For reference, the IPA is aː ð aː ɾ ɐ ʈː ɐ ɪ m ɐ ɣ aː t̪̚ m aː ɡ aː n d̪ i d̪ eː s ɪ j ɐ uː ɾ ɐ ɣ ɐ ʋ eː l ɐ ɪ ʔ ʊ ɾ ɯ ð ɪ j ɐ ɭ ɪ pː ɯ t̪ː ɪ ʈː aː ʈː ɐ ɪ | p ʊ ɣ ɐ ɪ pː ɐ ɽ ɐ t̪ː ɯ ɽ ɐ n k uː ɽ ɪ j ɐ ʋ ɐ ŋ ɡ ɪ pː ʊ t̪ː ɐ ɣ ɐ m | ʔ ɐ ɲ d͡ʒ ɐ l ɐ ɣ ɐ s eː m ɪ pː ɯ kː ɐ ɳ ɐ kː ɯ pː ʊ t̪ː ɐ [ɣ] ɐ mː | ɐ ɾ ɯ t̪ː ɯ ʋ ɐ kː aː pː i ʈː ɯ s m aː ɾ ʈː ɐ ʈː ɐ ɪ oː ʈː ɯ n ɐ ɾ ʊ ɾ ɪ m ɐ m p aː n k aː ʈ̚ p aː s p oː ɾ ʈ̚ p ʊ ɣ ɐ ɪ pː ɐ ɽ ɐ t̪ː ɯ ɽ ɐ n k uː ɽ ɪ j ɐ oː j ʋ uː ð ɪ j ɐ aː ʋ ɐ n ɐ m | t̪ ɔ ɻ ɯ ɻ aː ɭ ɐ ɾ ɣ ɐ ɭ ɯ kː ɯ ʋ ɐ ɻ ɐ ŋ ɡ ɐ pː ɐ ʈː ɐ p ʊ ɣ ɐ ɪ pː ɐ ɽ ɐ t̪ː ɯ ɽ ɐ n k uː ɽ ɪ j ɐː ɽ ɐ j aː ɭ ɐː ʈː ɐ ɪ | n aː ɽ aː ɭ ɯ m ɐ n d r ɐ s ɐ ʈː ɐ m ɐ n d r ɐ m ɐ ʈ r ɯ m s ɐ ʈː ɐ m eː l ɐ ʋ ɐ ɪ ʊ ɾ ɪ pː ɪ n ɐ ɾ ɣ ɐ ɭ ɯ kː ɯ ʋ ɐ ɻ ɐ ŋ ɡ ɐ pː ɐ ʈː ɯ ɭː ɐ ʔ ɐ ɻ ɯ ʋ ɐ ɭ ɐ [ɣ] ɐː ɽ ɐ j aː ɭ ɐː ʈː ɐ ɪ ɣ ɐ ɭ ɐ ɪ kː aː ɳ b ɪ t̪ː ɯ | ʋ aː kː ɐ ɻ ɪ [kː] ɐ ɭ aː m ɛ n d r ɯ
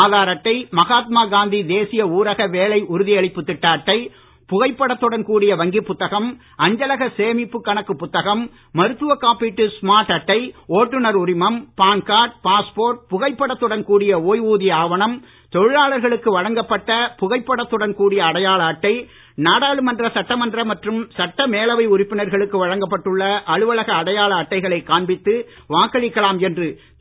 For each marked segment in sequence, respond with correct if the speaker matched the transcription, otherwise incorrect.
correct, correct, correct

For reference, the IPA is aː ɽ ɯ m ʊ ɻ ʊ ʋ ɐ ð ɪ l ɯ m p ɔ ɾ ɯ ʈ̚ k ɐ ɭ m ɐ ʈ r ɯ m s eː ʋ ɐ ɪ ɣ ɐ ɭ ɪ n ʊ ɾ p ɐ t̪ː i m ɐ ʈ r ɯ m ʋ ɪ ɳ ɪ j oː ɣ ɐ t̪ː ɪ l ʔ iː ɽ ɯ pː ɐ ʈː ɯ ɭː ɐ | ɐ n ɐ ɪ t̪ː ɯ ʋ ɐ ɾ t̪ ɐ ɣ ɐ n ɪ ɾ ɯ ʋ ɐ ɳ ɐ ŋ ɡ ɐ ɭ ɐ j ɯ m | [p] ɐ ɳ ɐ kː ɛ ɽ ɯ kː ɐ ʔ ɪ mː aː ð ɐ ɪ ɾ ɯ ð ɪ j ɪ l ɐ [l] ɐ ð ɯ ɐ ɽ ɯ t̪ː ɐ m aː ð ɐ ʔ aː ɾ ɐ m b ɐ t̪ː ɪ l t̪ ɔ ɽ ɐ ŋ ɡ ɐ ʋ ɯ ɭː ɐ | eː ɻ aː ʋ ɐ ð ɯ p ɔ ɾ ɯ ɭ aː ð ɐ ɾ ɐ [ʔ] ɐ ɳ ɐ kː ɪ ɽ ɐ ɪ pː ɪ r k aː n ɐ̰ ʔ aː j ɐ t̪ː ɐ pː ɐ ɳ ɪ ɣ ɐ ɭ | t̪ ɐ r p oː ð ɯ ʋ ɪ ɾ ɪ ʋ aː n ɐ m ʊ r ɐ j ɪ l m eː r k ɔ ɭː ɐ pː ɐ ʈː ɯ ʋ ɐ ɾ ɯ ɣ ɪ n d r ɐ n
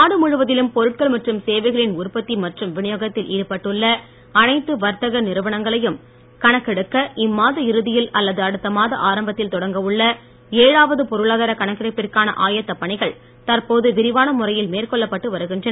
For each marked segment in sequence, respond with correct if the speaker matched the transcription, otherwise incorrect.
incorrect, incorrect, incorrect

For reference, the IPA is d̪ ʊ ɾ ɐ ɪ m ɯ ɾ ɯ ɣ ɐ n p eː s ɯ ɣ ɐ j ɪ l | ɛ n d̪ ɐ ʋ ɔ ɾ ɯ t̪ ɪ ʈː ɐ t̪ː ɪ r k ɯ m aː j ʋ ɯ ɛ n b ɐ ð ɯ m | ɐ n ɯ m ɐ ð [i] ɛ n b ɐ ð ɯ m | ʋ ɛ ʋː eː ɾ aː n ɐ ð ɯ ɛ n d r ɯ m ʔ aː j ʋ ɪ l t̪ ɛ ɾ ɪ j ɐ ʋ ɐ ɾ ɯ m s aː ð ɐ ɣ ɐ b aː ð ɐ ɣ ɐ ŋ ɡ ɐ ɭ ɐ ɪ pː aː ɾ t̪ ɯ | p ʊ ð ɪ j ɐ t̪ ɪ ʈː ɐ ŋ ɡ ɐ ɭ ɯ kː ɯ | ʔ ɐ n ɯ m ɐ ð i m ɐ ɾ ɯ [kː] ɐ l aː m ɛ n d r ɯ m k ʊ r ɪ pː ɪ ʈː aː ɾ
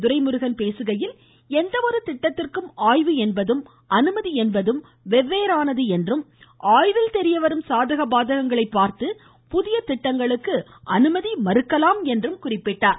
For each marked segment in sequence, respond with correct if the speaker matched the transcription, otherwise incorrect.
correct, correct

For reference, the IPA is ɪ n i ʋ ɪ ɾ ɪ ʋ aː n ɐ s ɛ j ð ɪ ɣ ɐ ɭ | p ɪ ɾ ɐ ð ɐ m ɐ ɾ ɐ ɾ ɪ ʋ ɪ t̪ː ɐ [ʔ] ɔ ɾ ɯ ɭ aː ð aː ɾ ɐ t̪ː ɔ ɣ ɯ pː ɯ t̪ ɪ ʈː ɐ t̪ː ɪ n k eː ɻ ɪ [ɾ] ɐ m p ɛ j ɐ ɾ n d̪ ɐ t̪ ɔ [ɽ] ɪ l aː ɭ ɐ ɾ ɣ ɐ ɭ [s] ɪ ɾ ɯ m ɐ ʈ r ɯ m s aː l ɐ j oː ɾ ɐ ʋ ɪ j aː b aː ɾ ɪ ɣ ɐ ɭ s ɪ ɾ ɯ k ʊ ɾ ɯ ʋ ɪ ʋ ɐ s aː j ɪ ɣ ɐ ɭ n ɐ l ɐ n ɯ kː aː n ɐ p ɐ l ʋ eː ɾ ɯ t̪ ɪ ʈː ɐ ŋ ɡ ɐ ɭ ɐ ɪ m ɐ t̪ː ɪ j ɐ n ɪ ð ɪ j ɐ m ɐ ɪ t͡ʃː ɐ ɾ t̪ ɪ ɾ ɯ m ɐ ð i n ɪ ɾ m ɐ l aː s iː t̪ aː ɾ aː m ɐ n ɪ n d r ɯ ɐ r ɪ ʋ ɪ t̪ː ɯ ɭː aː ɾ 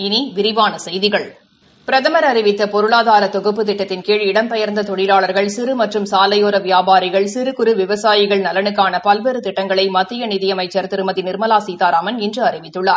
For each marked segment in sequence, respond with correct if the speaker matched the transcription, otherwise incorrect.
incorrect, incorrect, correct, correct

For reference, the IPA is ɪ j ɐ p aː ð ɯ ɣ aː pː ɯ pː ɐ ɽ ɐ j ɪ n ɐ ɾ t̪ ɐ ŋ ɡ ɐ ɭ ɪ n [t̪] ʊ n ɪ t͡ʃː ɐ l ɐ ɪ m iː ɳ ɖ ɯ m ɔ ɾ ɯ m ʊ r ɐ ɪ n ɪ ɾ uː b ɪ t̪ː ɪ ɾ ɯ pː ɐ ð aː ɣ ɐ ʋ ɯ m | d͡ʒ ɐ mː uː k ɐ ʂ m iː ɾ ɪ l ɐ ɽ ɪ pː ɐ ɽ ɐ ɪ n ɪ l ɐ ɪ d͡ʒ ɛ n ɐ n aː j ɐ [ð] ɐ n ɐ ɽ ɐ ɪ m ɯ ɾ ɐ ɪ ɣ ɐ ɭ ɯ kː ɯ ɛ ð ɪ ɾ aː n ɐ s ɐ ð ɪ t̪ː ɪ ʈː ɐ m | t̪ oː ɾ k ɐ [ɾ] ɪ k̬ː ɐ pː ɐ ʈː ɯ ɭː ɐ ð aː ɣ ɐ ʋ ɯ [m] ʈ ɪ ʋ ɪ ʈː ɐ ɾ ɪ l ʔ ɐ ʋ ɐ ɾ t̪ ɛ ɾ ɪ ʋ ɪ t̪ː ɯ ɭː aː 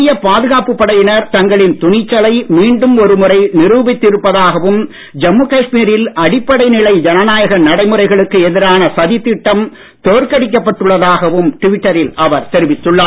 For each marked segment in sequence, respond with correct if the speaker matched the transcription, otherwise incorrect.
correct, incorrect, incorrect, correct

